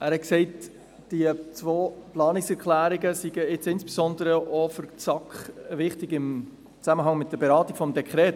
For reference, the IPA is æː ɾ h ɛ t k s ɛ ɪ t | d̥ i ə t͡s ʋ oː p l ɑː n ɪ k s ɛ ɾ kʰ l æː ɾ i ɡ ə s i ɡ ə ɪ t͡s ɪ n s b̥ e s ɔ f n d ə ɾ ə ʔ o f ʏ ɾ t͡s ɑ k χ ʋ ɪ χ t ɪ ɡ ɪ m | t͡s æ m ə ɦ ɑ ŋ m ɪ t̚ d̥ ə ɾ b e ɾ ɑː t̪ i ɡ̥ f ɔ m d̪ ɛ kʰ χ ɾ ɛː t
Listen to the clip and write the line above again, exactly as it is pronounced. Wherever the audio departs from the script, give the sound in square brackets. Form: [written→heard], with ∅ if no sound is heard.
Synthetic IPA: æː ɾ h ɛ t k s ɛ ɪ t | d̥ i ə t͡s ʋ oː p l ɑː n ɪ k s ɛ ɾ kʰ l æː ɾ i ɡ ə s i ɡ ə ɪ t͡s ɪ n s b̥ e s ɔ [f→∅] n d ə ɾ ə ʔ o f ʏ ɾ t͡s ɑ k χ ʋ ɪ χ t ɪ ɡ ɪ m | t͡s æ m ə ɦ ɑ ŋ m ɪ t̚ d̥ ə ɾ b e ɾ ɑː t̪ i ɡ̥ f ɔ m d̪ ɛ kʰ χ ɾ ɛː t